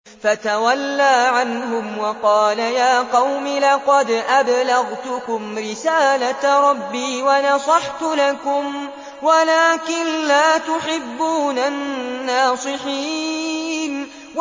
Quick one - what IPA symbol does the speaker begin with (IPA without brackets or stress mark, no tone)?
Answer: f